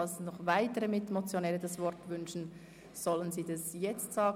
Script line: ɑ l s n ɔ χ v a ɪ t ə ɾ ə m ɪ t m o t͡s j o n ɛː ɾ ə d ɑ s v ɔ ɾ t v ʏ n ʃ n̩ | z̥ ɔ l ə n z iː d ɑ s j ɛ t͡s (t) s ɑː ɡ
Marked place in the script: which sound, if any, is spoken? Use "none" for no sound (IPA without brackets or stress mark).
t